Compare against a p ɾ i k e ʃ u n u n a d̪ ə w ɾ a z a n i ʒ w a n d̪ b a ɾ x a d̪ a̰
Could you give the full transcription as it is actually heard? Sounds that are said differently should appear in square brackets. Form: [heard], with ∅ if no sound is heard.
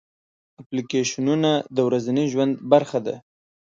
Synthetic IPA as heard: a p [l] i k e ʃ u n u n a d̪ ə w ɾ a z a n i ʒ w a n d̪ b a ɾ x a d̪ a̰

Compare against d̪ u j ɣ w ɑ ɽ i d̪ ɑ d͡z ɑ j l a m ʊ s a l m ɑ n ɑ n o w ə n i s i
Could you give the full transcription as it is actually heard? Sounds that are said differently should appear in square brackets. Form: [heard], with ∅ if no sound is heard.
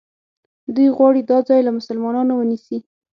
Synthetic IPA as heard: d̪ u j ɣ w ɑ ɽ i d̪ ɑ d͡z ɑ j l a m ʊ s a l m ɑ n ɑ n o w ə n i s i

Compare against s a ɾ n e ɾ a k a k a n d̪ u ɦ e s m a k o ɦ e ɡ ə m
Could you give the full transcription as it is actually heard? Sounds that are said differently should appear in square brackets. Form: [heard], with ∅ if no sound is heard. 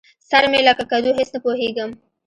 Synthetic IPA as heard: s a ɾ [m] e [l] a k a k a [∅] d̪ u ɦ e s [n] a [p] o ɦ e ɡ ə m

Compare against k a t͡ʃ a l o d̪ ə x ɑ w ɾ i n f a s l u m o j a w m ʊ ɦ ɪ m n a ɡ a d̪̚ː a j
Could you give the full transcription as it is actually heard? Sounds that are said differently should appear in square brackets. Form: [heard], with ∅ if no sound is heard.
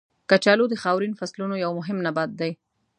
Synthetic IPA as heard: k a t͡ʃ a l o d̪ ə x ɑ w ɾ i n f a s l u [n] o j a w m ʊ ɦ ɪ m n a [b] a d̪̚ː a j

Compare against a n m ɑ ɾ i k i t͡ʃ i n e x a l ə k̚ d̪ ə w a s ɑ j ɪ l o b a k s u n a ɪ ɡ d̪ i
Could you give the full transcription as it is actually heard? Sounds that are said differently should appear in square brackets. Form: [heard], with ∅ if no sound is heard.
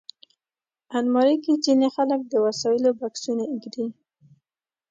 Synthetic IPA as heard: a n m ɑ ɾ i k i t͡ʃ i n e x a l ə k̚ d̪ ə w a s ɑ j ɪ l o b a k s u n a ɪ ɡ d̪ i

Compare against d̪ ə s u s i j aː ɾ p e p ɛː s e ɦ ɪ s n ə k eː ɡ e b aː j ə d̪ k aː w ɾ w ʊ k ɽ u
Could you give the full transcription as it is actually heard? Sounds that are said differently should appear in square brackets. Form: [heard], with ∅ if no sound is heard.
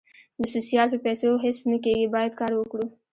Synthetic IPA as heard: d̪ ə s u s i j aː [l] p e p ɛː s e ɦ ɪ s n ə k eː ɡ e b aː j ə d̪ k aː [∅] ɾ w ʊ k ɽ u

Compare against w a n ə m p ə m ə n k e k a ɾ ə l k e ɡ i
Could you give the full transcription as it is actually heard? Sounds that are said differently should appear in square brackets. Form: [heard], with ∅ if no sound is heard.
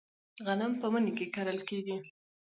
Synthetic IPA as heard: [ɣ] a n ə m p ə m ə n k e k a ɾ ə l k e ɡ i

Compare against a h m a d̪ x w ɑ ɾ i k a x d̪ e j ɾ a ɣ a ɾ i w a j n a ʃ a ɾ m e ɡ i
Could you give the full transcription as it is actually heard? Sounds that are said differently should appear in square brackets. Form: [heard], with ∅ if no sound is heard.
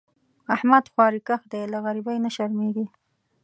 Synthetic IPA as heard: a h m a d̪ x w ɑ ɾ i k a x d̪ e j [l] a ɣ a ɾ i [b] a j n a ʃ a ɾ m e ɡ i

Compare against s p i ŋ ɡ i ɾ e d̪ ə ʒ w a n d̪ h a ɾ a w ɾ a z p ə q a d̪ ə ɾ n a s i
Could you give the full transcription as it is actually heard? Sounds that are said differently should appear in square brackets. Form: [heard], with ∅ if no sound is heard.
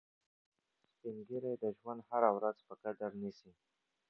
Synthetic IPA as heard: s p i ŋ ɡ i ɾ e d̪ ə ʒ w a n d̪ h a ɾ a w ɾ a z p ə [k] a d̪ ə ɾ n [i] s i

